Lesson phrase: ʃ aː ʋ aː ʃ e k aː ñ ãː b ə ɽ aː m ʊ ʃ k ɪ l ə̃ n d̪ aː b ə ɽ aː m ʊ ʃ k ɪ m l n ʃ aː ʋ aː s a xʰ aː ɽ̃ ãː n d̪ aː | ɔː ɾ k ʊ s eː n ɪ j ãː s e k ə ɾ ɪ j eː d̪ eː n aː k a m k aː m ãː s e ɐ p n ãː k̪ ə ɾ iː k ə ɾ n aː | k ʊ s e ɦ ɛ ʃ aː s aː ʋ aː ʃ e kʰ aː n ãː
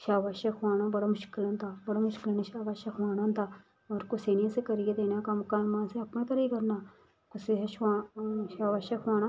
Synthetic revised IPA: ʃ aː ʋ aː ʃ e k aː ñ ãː b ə ɽ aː m ʊ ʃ k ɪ l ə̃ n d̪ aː b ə ɽ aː m ʊ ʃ k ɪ l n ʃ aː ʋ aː ʃ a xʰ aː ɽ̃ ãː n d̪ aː | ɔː ɾ k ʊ s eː n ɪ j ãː s e k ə ɾ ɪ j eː d̪ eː n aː k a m k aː m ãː s e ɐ p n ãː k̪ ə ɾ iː k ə ɾ n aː | k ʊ s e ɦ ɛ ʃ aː ʃ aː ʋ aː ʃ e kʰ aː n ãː